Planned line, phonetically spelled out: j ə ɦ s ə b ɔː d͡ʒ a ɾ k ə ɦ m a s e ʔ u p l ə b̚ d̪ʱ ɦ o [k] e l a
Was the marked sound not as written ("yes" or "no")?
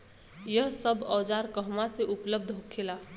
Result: yes